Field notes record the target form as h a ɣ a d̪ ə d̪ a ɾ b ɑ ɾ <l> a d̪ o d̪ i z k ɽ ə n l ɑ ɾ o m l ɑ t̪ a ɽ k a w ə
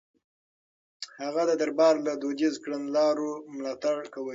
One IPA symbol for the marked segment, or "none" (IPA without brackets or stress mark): l